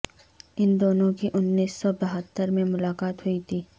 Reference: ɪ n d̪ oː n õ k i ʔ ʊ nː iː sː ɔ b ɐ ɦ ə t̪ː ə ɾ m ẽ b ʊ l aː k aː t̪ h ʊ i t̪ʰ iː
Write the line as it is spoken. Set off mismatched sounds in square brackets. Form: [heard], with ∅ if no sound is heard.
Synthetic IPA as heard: ɪ n d̪ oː n õ k i ʔ ʊ nː iː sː ɔ b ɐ ɦ ə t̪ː ə ɾ m ẽ [m] ʊ l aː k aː t̪ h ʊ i t̪ʰ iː